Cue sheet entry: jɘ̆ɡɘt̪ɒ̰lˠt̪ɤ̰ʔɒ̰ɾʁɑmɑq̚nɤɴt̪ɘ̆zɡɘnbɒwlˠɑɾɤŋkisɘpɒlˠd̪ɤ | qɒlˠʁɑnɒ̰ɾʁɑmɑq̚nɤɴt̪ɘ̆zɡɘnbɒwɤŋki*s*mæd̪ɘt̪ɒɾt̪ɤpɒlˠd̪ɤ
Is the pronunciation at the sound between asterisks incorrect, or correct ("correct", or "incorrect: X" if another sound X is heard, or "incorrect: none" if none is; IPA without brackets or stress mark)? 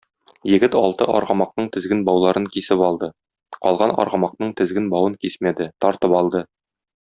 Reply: correct